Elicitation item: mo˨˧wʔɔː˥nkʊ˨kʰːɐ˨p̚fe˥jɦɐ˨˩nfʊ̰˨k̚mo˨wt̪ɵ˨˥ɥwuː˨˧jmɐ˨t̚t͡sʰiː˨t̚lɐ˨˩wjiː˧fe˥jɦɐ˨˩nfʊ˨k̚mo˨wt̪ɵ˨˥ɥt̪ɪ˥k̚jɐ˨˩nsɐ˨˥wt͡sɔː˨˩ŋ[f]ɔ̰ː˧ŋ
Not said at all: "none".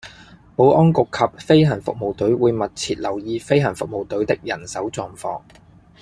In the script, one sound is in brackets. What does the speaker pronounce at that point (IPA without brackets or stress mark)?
f